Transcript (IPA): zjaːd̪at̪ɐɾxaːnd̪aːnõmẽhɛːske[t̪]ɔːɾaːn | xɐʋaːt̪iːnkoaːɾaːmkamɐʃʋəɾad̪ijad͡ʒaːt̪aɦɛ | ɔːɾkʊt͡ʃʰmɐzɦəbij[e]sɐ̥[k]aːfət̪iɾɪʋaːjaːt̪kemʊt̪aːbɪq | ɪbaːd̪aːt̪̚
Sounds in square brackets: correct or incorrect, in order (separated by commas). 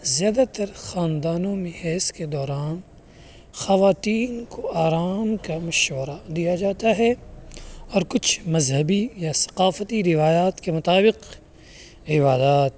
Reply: incorrect, incorrect, incorrect